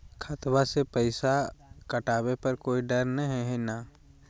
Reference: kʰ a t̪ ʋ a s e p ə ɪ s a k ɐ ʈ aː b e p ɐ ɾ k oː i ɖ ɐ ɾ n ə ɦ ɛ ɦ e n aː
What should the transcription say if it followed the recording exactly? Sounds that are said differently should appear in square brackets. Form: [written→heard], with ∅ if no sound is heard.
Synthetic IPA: kʰ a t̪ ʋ a s e p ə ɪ s a k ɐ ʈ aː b e p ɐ ɾ k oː i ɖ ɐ ɾ n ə ɦ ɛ ɦ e n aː

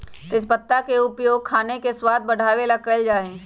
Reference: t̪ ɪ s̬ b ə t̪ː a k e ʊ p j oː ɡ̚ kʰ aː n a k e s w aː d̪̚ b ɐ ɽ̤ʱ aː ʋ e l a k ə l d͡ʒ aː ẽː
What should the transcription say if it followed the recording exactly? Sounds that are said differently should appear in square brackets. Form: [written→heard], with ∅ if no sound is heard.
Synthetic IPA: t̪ ɪ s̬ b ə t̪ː a k e ʊ p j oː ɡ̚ kʰ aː n [a→e] k e s w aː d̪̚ b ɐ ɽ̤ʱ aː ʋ e l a k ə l d͡ʒ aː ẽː

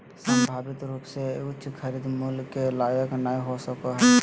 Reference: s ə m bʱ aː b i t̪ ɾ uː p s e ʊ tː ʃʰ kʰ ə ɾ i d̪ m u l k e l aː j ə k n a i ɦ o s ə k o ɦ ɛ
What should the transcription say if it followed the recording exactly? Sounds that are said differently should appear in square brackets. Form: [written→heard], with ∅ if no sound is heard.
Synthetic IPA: s ə m bʱ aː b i t̪ ɾ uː p s e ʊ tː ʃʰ kʰ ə ɾ i d̪ m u l k e l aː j ə k n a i ɦ o s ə k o ɦ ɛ

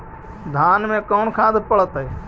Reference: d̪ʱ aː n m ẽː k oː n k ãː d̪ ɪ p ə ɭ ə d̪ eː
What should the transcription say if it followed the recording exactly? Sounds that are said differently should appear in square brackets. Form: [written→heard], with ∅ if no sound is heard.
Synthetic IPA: d̪ʱ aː n m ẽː k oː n [k→kʰ] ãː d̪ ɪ p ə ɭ ə [d̪→t̪] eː

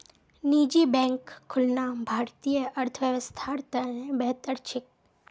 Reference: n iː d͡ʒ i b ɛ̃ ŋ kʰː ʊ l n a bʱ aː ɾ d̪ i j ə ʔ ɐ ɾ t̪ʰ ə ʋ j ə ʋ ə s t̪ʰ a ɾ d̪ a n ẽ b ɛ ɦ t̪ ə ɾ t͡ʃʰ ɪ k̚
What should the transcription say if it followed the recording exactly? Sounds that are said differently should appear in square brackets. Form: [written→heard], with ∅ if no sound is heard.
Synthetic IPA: n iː d͡ʒ i b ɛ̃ ŋ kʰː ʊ l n a bʱ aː ɾ [d̪→t̪] i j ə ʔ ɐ ɾ t̪ʰ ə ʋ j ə ʋ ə s t̪ʰ a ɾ [d̪→t̪] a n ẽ b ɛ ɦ t̪ ə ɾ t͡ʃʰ ɪ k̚

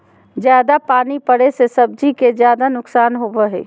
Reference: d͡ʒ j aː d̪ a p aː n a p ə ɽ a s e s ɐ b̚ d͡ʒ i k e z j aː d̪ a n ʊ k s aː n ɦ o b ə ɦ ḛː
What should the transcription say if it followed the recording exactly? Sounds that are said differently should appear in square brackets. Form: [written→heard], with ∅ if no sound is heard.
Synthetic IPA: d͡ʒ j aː d̪ a p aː n [a→i] p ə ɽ [a→e] s e s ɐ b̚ d͡ʒ i k e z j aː d̪ a n ʊ k s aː n ɦ o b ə ɦ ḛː

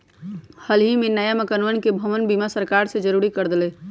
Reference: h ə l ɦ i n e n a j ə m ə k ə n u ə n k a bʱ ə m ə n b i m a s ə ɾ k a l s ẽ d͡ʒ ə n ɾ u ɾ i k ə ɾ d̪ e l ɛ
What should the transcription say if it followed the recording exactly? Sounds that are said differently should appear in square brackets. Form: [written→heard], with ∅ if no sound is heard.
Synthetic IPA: h ə l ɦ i [n→m] e n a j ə m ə k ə n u ə n k [a→e] bʱ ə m ə n b i m a s ə ɾ k a [l→ɾ] s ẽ d͡ʒ ə [n→∅] ɾ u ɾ i k ə ɾ d̪ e l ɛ

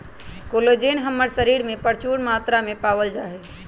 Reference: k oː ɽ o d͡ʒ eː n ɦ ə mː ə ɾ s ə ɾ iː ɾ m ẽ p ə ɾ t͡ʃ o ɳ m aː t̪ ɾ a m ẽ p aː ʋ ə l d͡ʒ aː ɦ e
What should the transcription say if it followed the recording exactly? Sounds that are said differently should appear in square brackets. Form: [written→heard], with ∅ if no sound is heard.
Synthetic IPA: k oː [ɽ→l] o d͡ʒ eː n ɦ ə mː ə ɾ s ə ɾ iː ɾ m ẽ p ə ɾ t͡ʃ [o→u] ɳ m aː t̪ ɾ a m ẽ p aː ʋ ə l d͡ʒ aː ɦ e

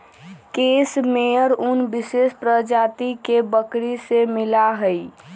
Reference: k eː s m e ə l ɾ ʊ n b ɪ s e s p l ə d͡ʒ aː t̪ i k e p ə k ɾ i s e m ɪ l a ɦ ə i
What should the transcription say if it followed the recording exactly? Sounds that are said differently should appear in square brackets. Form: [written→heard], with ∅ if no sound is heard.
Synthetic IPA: k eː s m e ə [l→∅] ɾ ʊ n b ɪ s e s p [l→ɾ] ə d͡ʒ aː t̪ i k e [p→b] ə k ɾ i s e m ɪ l a ɦ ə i

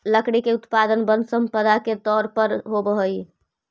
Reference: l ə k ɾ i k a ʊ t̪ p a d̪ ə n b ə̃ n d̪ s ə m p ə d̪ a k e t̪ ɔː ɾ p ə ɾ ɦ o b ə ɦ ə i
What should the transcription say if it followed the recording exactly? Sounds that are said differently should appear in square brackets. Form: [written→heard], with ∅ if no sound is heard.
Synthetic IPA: l ə k [ɾ→ɽ] i k [a→e] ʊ t̪ p a d̪ ə n b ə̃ n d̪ s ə m p ə d̪ a k e t̪ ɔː ɾ p ə ɾ ɦ o b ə ɦ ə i

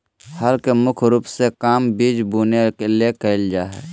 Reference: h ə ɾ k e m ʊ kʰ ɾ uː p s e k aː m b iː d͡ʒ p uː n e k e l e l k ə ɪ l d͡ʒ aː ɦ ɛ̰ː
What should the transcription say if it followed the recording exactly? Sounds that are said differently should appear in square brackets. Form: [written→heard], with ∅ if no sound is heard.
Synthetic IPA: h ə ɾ k e m ʊ kʰ ɾ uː p s e k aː m b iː d͡ʒ [p→b] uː n e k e l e [l→∅] k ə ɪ l d͡ʒ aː ɦ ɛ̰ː

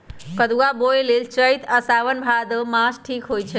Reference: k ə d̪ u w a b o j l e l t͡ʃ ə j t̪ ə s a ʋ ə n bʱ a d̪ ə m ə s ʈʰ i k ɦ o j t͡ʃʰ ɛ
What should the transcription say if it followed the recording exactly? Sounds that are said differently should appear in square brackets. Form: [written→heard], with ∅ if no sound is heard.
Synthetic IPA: k ə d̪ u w a b o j l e l t͡ʃ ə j t̪ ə s a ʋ ə n bʱ a d̪ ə m [ə→a] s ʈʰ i k ɦ o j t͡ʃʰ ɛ

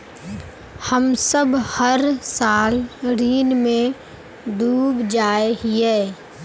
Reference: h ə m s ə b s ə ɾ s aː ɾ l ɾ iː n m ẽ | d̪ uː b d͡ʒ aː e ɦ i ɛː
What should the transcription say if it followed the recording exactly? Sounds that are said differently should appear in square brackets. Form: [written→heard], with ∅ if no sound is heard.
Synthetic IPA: h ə m s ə b [s→h] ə ɾ s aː [ɾ→∅] l ɾ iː n m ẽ | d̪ uː b d͡ʒ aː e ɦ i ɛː

